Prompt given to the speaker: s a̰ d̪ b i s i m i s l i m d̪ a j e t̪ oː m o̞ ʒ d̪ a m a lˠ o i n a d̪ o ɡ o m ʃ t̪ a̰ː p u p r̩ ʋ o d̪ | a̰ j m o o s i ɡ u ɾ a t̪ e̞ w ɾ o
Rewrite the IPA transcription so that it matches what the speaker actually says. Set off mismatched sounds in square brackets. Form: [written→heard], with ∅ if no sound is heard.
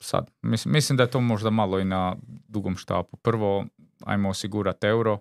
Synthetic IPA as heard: s a̰ d̪ [b→m] i s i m i s l i m d̪ a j e t̪ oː m o̞ ʒ d̪ a m a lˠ o i n a d̪ [o→u] ɡ o m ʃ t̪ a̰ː p u p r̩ ʋ o [d̪→∅] | a̰ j m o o s i ɡ u ɾ a t̪ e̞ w ɾ o